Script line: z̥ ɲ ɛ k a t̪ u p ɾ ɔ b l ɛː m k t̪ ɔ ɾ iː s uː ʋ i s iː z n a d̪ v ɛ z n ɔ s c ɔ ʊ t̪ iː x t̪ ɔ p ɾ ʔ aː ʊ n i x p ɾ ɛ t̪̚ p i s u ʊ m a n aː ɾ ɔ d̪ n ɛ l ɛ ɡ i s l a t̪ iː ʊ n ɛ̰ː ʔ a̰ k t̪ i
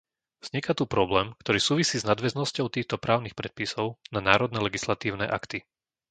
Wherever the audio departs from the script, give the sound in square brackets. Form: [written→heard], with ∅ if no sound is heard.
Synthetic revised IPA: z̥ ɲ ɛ k a t̪ u p ɾ ɔ b l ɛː m k t̪ ɔ ɾ iː s uː ʋ i s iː z n a d̪ [v→ʋ] ɛ z n ɔ s c ɔ ʊ t̪ iː x t̪ ɔ p ɾ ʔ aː ʊ n i x p ɾ ɛ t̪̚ p i s [u→ɔ] ʊ [m→n] a n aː ɾ ɔ d̪ n ɛ l ɛ ɡ i s l a t̪ iː ʊ n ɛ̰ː ʔ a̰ k t̪ i